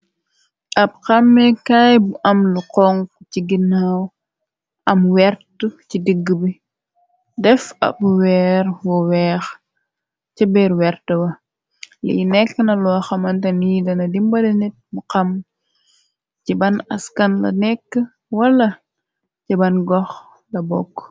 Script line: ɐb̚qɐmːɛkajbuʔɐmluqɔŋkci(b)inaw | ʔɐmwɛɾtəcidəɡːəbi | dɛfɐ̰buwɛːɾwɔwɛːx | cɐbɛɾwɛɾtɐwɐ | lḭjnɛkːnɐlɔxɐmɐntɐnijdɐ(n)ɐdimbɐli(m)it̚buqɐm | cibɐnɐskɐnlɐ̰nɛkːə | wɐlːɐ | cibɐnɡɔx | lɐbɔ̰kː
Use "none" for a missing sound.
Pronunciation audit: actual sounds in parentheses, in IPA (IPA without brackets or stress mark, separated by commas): ɡ, n, n